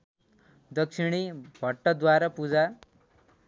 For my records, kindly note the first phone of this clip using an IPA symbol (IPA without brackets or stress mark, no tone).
d̪